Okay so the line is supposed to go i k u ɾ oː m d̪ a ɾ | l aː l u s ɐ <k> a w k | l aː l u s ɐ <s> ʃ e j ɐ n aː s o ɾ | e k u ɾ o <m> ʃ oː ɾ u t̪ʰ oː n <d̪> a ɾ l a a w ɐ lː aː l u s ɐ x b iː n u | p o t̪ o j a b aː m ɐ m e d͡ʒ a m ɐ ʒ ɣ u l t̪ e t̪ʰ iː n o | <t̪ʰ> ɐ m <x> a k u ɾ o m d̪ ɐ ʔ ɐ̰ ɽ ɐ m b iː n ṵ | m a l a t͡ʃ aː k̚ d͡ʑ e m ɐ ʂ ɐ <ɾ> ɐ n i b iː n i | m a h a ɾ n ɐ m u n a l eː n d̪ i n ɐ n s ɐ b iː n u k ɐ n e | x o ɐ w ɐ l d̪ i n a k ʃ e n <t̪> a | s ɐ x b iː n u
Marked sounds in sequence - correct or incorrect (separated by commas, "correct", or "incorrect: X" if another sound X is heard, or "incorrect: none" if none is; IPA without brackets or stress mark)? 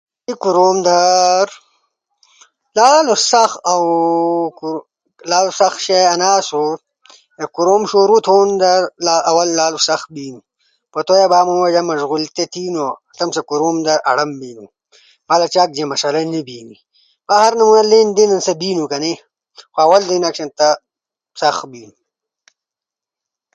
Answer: incorrect: x, incorrect: x, correct, correct, incorrect: t̪, incorrect: s, incorrect: l, correct